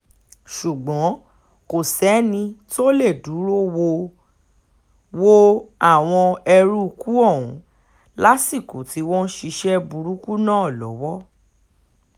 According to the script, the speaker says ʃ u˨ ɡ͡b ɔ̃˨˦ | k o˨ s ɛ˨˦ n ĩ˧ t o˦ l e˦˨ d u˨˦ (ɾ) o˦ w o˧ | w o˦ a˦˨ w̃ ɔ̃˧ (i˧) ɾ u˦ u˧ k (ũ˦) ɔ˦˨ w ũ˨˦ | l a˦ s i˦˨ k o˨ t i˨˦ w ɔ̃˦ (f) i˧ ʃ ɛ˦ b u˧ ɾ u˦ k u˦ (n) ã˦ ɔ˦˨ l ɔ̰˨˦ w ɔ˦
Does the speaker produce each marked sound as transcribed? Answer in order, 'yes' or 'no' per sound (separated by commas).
yes, no, no, no, yes